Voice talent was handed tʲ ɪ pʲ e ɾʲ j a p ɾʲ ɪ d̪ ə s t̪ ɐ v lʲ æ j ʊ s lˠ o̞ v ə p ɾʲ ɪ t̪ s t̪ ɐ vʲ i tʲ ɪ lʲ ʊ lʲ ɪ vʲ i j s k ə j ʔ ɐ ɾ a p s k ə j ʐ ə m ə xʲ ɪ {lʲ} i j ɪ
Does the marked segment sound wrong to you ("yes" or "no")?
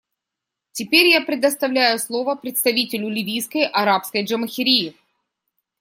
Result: yes